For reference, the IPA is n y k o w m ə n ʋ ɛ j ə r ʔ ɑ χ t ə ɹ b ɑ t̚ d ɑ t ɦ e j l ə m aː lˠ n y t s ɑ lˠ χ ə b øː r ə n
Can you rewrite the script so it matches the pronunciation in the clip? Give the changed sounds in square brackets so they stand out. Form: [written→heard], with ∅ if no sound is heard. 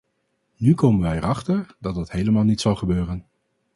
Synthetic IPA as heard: n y k o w m ə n ʋ ɛ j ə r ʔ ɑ χ t ə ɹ [b→d] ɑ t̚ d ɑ t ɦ e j l ə m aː lˠ n [y→i] t s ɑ lˠ χ ə b øː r ə n